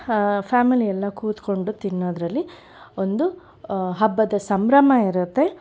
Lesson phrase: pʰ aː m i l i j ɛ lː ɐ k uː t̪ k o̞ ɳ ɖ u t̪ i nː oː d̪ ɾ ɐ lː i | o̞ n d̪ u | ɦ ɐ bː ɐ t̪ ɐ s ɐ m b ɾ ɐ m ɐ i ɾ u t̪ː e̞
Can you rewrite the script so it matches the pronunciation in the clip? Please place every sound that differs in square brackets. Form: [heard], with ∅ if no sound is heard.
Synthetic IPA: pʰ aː m i l i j ɛ lː ɐ k uː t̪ k o̞ ɳ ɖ u t̪ i nː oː d̪ ɾ ɐ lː i | o̞ n d̪ u | ɦ ɐ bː ɐ [d̪] ɐ s ɐ m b ɾ ɐ m ɐ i ɾ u t̪ː e̞